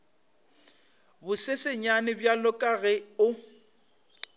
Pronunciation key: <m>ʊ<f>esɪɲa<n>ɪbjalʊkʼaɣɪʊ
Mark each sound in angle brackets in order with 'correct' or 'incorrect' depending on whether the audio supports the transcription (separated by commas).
incorrect, incorrect, correct